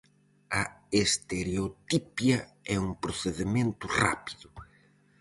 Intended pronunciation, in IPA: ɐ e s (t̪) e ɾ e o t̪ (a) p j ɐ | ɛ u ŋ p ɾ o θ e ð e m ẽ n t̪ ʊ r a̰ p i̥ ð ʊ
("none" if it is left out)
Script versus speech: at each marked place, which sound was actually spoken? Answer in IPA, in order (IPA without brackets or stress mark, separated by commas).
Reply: t̪, i